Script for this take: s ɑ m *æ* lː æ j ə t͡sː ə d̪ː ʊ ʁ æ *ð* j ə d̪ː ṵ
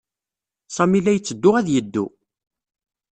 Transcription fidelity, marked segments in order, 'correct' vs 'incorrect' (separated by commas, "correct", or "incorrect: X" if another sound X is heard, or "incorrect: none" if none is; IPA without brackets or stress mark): incorrect: i, correct